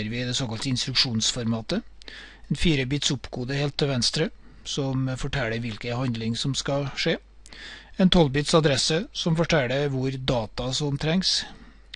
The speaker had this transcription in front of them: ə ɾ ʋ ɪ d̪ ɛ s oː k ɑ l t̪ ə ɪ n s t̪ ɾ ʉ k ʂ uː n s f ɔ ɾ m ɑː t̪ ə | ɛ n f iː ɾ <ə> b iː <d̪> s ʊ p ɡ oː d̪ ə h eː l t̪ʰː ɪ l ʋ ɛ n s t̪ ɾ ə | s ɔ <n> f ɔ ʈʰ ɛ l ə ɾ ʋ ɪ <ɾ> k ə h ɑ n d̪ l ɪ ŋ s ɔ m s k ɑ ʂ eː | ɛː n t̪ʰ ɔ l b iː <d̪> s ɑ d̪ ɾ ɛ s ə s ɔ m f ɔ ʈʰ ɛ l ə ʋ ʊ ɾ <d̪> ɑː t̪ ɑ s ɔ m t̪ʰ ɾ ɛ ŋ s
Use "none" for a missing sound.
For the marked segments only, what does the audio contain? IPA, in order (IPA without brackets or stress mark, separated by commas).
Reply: ə, t̪, m, l, t̪, d̪